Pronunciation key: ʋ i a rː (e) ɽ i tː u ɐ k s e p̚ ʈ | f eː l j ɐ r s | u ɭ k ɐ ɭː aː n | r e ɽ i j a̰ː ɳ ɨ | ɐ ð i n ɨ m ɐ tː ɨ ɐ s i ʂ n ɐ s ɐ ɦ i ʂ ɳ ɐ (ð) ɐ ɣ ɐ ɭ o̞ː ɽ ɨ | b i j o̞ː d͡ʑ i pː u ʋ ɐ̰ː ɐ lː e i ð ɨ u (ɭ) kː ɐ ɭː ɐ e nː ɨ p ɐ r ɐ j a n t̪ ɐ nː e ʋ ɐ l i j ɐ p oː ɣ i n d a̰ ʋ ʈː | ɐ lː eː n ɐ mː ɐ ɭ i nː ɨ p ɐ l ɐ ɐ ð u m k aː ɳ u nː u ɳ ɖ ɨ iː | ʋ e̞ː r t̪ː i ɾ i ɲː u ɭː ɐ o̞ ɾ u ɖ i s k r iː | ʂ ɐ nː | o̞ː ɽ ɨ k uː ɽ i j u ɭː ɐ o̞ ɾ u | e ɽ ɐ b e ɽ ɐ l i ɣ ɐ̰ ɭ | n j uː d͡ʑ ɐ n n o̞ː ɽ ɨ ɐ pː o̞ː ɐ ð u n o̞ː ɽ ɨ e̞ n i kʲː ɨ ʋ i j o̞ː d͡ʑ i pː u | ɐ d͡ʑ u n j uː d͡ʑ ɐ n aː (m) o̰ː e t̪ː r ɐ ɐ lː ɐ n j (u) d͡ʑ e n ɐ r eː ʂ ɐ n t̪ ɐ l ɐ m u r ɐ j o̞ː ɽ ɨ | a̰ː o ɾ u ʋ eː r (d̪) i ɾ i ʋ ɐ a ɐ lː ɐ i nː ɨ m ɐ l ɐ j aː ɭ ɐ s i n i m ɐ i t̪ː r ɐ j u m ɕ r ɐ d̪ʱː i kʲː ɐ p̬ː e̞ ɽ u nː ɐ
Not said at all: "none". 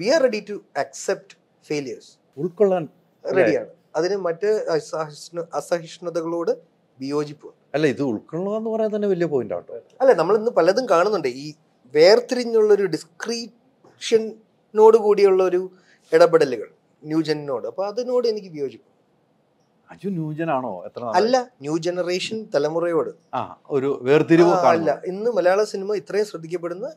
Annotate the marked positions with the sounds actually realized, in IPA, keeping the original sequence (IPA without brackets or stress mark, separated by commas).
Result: e, ð, ɭ, ɳ, uː, t̪